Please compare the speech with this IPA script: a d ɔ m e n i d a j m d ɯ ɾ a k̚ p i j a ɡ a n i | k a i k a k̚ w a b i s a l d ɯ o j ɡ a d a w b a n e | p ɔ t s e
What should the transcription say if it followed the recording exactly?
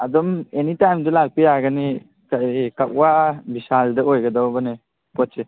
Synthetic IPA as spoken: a d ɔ m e n i t a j m d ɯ l a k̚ p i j a ɡ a n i | k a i k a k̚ w a b i s a l d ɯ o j ɡ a d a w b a n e | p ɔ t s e